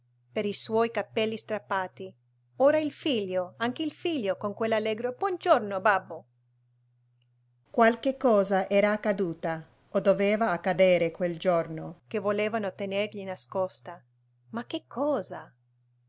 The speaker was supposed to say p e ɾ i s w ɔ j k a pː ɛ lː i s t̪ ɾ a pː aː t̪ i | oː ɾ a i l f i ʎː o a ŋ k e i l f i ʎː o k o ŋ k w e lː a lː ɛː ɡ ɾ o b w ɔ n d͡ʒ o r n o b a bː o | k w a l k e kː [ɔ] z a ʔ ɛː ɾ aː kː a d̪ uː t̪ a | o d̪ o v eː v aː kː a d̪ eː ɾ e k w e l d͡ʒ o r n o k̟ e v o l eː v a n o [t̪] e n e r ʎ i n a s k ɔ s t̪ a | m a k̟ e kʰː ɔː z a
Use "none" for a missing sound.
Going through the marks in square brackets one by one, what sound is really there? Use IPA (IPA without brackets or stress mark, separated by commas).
ɔː, t̪